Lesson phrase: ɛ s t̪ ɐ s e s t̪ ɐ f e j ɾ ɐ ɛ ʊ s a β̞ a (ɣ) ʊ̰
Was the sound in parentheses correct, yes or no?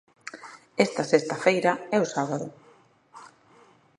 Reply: no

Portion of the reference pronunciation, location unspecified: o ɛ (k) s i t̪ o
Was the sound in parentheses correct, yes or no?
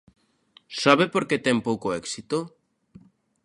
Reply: yes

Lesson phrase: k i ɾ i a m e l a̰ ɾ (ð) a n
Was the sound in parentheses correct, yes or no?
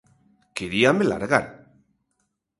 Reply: no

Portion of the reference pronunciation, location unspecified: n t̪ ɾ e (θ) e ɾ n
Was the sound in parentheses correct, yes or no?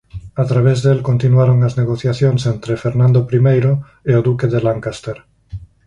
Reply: no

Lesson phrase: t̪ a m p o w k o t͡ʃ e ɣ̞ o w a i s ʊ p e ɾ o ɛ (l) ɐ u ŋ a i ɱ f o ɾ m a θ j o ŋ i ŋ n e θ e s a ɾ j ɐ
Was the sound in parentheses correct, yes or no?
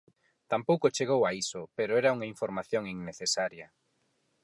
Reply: no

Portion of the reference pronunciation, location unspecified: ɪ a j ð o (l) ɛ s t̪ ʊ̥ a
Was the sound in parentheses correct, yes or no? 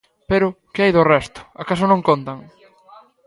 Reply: no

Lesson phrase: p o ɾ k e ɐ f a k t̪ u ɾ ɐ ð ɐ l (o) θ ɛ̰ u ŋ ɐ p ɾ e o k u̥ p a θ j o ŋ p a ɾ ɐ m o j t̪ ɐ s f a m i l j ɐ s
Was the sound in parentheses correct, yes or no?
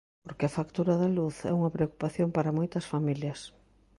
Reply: no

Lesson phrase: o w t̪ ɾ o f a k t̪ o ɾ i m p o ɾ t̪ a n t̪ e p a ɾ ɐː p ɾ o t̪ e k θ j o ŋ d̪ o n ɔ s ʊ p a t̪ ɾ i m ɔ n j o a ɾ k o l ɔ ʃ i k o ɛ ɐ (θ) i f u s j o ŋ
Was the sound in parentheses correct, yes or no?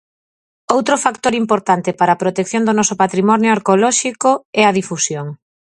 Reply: no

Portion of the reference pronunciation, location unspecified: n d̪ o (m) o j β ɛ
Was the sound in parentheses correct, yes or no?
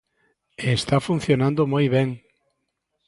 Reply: yes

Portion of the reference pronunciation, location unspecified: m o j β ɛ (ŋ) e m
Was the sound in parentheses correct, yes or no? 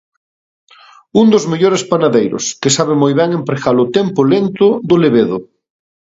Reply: yes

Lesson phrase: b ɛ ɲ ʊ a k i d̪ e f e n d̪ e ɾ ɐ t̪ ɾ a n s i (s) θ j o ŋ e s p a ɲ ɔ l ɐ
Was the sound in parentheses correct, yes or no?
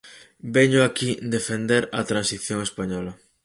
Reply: no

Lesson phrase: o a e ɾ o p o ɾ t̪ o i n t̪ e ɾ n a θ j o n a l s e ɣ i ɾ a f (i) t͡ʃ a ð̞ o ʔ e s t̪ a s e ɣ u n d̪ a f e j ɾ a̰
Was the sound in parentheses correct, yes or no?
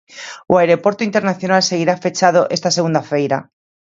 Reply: no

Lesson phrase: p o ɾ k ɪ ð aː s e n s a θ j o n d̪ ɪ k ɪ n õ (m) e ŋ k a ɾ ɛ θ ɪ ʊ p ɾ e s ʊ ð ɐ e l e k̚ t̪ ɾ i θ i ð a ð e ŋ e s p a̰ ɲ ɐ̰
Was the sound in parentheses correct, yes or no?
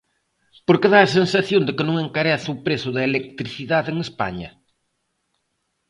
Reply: no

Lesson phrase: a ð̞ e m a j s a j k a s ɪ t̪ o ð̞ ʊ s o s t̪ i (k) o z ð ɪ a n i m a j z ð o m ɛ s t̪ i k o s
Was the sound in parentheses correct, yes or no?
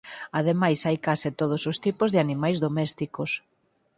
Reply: no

